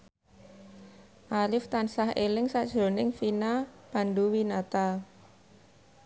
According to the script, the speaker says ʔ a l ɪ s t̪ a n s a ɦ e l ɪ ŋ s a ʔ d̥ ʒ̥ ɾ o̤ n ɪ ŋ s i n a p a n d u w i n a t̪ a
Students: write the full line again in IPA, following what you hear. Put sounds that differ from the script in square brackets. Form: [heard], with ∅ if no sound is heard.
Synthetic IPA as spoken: ʔ a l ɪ [f] t̪ a n s a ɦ e l ɪ ŋ s a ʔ d̥ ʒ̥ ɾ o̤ n ɪ ŋ [f] i n a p a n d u w i n a t̪ a